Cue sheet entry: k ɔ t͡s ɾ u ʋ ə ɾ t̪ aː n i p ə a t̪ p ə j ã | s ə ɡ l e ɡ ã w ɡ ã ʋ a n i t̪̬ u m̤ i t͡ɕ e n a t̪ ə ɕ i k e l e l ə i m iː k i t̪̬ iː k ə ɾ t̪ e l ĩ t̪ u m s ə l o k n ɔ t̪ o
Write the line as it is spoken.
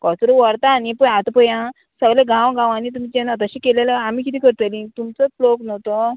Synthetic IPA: k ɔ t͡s ɾ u ʋ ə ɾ t̪ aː n i p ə a t̪ p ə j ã | s ə ɡ l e ɡ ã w ɡ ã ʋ a n i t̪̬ u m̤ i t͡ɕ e n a t̪ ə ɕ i k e l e l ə a m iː k i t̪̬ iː k ə ɾ t̪ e l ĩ t̪ u m t͡s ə l o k n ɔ t̪ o